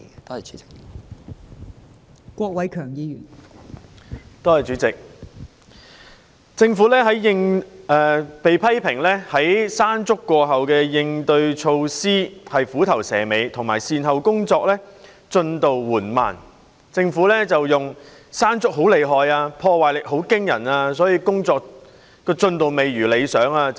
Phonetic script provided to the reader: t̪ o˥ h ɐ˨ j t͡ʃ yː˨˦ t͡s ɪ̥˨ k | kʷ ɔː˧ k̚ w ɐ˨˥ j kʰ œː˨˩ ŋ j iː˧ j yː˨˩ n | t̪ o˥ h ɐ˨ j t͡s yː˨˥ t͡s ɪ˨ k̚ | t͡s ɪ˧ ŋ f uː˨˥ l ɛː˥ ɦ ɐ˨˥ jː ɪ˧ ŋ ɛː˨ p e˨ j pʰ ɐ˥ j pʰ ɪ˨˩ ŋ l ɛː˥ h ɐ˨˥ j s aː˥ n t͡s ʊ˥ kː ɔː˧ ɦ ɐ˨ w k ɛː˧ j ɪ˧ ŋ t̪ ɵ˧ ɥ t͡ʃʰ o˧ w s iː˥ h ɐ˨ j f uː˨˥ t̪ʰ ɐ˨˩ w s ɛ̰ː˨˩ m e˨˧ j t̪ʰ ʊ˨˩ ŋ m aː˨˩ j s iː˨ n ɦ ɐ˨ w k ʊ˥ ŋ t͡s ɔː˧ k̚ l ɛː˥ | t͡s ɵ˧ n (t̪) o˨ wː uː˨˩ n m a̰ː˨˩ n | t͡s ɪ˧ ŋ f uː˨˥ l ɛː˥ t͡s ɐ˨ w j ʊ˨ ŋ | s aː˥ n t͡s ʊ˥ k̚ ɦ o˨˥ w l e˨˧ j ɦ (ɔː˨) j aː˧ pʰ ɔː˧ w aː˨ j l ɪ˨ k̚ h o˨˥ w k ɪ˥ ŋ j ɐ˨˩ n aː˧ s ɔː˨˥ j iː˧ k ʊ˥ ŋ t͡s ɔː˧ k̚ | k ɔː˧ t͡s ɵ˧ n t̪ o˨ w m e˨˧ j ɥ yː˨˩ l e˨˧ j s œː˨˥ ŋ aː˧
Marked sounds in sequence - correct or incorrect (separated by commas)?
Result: correct, correct